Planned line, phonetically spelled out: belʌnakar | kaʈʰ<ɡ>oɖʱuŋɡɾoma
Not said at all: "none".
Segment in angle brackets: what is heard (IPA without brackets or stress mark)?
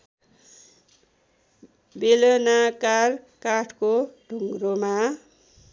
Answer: k